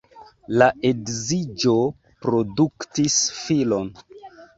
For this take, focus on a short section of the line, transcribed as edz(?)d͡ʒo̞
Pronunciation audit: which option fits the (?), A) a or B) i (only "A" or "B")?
B